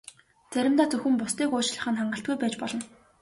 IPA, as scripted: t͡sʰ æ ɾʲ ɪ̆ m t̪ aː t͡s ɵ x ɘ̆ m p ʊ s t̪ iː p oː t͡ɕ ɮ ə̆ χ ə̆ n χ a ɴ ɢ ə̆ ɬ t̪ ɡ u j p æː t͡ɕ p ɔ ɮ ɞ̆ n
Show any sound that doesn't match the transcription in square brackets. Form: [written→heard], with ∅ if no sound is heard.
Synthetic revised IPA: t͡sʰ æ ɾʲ ɪ̆ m t̪ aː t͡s ɵ x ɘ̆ m p ʊ s t̪ iː [p→k] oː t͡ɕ ɮ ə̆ χ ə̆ n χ a ɴ ɢ ə̆ ɬ t̪ ɡ u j p æː t͡ɕ p ɔ ɮ ɞ̆ n